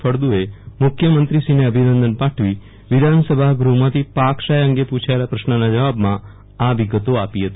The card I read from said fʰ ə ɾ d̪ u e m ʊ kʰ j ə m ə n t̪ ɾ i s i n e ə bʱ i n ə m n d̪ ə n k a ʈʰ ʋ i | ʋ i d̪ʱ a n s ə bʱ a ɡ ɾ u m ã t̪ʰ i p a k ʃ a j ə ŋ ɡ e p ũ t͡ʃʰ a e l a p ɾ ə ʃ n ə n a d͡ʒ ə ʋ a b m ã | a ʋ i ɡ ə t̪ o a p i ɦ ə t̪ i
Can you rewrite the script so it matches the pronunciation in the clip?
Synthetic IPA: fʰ ə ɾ d̪ u e m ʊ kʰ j ə m ə n t̪ ɾ i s i n e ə bʱ i n ə n d̪ ə n p a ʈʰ ʋ i | ʋ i d̪ʱ a n s ə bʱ a ɡ ɾ u m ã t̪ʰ i p a k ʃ a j ə ŋ ɡ e p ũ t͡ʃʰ a e l a p ɾ ə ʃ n ə n a d͡ʒ ə ʋ a b m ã | a ʋ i ɡ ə t̪ o a p i ɦ ə t̪ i